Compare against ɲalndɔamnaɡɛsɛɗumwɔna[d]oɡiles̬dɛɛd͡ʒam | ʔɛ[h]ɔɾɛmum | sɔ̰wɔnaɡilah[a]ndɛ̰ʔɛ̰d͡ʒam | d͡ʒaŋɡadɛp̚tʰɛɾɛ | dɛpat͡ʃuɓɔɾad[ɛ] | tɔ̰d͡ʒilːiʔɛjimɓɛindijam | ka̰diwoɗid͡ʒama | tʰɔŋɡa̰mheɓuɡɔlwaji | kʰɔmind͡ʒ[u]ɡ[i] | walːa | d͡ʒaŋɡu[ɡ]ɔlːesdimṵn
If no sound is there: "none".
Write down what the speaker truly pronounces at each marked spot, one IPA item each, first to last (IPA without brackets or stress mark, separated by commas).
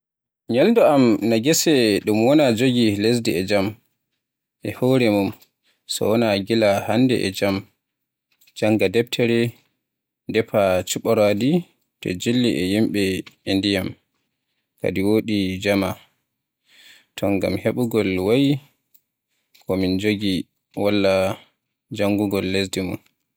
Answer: d͡ʒ, h, a, i, o, i, ɡ